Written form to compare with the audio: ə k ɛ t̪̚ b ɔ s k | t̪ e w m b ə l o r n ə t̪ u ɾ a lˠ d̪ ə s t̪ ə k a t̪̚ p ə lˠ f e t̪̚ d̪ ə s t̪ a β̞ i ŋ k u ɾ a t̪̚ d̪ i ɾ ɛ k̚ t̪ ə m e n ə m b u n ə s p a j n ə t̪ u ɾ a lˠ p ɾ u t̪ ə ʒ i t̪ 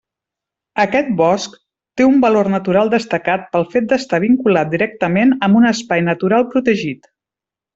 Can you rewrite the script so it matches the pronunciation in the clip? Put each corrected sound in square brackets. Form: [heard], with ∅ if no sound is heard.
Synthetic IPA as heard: ə k ɛ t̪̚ b ɔ s k | t̪ e [u] m b ə l o r n ə t̪ u ɾ a lˠ d̪ ə s t̪ ə k a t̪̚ p ə lˠ f e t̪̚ d̪ ə s t̪ a β̞ i ŋ k u [l] a t̪̚ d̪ i ɾ ɛ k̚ t̪ ə m e n ə m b u n ə s p a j n ə t̪ u ɾ a lˠ p ɾ u t̪ ə ʒ i t̪